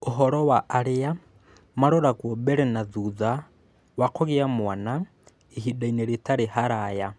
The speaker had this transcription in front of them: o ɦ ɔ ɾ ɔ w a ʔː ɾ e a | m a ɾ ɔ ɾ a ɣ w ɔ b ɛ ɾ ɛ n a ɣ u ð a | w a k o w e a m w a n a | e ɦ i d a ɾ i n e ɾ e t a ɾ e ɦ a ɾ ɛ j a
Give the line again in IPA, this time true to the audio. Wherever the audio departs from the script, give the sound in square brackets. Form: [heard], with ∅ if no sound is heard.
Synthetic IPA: o ɦ ɔ ɾ ɔ w a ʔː ɾ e a | m a ɾ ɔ ɾ a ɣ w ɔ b ɛ ɾ ɛ n a [ð] u ð a | w a k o [ɣ] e a m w a n a | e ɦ i d a [∅] i n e ɾ e t a ɾ e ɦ a ɾ [a] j a